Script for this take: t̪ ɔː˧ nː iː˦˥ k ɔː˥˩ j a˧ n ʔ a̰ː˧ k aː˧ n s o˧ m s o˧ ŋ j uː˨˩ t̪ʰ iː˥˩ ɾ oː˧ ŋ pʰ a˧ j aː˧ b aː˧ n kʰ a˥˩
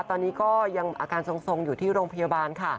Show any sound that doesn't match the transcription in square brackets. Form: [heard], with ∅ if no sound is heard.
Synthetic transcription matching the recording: t̪ ɔː˧ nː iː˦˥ k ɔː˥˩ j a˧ [ŋ] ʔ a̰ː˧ k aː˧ n s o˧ [ŋ] s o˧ ŋ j uː˨˩ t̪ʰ iː˥˩ ɾ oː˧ ŋ pʰ a˧ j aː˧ b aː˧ n kʰ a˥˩

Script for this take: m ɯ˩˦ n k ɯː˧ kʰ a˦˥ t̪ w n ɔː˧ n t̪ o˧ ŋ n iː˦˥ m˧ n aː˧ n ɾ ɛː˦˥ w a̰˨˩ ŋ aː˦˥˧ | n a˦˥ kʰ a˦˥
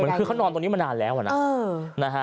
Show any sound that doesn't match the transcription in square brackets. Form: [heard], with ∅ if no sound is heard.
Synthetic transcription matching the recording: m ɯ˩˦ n k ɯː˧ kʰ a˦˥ [∅] w n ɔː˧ n t̪ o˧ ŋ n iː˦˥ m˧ n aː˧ n [l] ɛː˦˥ w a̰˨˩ [n] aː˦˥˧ | n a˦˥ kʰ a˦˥

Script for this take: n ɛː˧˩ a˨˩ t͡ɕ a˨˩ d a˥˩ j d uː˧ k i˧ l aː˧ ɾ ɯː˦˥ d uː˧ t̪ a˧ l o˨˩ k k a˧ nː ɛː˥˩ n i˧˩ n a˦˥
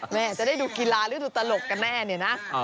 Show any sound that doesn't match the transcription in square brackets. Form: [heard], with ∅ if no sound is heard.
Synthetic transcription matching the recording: [m] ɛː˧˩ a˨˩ t͡ɕ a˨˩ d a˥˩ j d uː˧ k i˧ l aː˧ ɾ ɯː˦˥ d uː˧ t̪ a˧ l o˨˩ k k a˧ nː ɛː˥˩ n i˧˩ n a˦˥

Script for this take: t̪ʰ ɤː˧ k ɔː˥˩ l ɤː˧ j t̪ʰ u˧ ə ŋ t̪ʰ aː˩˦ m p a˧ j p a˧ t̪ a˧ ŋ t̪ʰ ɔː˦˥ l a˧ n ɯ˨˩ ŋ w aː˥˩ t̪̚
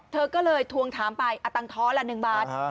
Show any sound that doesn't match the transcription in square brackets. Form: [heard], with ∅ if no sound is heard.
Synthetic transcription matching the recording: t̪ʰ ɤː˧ k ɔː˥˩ l ɤː˧ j t̪ʰ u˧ ə ŋ t̪ʰ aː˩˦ m p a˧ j [ʔ] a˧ t̪ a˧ ŋ t̪ʰ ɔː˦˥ l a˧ n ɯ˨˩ ŋ [b] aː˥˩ t̪̚

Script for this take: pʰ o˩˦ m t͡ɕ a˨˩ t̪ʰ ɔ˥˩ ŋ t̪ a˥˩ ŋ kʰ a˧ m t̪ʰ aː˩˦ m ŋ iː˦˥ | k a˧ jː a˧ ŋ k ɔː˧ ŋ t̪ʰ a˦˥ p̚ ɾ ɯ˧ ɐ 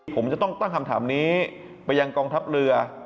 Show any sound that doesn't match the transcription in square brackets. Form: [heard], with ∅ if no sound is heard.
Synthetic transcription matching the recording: pʰ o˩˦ m t͡ɕ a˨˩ [t̪] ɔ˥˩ ŋ t̪ a˥˩ ŋ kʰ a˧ m t̪ʰ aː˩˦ m [n] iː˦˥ | [p] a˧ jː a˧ ŋ k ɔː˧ ŋ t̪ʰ a˦˥ p̚ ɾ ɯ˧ ɐ

